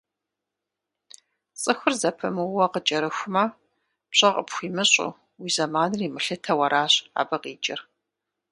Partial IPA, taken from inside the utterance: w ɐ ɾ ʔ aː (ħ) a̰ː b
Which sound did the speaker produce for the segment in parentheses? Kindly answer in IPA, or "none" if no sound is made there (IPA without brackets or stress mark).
ɕ